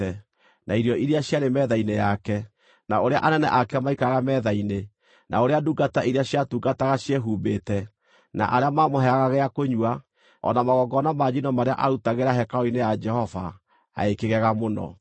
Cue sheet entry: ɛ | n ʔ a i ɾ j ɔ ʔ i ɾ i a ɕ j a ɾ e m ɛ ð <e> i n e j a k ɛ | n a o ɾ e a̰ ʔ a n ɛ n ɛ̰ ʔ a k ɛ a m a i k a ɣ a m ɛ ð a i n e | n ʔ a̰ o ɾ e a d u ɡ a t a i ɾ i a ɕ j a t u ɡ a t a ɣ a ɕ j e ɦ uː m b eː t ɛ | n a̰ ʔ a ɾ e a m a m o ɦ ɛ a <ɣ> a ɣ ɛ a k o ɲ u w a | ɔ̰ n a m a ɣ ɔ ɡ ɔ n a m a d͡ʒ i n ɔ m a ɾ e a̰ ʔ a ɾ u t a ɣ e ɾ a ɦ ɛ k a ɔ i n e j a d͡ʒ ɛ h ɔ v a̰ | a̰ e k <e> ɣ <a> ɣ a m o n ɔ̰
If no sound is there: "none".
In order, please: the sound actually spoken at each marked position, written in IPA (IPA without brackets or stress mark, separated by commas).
a, ɣ, e, ɛ